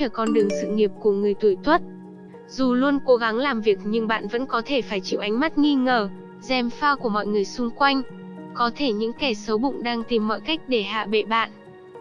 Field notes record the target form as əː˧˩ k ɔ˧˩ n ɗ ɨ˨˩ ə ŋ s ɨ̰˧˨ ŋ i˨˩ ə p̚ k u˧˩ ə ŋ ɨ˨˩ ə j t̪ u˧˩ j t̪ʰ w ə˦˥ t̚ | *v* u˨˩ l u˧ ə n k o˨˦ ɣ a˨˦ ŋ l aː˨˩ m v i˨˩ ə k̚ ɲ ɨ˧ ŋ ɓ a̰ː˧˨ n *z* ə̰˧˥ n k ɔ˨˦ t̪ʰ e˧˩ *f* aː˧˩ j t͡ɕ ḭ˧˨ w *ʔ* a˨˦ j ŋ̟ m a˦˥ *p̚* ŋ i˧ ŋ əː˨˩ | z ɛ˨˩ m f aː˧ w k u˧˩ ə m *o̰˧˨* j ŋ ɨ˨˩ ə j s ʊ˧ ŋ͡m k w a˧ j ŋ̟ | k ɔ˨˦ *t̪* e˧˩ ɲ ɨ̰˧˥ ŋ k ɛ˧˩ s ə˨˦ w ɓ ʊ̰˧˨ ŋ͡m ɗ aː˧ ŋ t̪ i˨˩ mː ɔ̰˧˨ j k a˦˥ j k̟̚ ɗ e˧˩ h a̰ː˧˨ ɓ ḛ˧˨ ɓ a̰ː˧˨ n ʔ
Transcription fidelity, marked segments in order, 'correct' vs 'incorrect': incorrect: z, incorrect: v, correct, correct, incorrect: t̚, incorrect: ɔ̰˧˨, incorrect: t̪ʰ

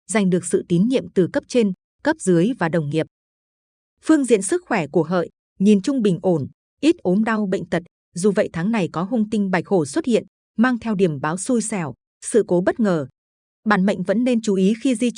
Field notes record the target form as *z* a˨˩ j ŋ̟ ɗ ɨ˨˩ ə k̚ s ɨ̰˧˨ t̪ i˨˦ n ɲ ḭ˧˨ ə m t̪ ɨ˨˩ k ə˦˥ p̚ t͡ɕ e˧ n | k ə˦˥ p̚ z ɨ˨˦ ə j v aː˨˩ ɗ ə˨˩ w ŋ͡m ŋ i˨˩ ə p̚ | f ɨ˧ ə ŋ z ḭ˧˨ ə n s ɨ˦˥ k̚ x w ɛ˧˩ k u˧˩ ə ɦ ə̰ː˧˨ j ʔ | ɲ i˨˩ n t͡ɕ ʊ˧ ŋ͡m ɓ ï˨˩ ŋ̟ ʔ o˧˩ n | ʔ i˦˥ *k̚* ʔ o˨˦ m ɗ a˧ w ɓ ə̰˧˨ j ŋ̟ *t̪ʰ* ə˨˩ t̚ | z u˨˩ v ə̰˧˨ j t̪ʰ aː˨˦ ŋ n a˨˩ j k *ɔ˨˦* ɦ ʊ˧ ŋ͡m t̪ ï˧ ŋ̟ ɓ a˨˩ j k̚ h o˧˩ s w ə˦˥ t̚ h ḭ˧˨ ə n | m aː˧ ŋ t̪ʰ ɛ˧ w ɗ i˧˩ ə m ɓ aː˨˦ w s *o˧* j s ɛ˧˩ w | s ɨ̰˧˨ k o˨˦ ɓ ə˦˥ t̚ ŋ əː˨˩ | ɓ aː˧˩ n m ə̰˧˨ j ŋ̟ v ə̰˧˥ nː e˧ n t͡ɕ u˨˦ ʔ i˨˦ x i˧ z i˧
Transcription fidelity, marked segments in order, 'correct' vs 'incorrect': correct, incorrect: t̚, incorrect: t̪, correct, incorrect: u˧

